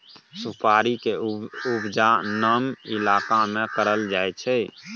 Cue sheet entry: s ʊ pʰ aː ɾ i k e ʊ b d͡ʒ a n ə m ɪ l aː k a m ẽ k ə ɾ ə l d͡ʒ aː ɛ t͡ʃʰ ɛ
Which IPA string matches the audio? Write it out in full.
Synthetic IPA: s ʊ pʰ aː ɾ i k e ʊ b d͡ʒ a n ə m ɪ l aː k a m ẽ k ə ɾ ə l d͡ʒ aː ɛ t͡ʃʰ ɛ